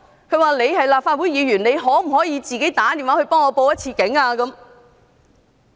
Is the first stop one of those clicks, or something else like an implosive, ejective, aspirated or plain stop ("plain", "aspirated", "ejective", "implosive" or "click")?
aspirated